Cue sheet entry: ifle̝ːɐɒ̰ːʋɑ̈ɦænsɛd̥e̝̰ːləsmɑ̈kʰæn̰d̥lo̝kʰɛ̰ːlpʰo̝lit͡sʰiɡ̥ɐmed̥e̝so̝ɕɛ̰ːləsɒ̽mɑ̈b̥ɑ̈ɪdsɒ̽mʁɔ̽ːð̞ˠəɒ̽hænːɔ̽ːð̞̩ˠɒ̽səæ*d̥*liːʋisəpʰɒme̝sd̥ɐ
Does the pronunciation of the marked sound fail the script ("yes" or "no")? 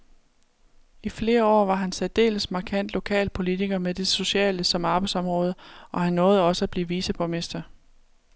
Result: yes